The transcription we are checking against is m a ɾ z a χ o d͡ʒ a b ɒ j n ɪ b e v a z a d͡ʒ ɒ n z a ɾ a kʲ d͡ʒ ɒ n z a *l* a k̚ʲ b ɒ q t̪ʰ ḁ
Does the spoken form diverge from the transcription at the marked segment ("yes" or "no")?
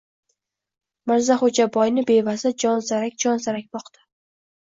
yes